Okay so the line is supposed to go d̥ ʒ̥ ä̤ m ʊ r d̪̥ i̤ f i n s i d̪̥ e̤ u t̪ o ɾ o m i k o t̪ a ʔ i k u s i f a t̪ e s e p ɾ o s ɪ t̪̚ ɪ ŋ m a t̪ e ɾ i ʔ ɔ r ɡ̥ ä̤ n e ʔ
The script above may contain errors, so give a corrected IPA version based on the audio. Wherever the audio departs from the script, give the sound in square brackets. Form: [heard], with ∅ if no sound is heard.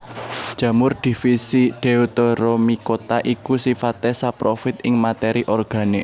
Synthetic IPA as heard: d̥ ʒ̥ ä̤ m ʊ r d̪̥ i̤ f i [∅] s i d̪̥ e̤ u t̪ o ɾ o m i k o t̪ a ʔ i k u s i f a t̪ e s [a] p ɾ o [f] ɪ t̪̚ ɪ ŋ m a t̪ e ɾ i ʔ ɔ r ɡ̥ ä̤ n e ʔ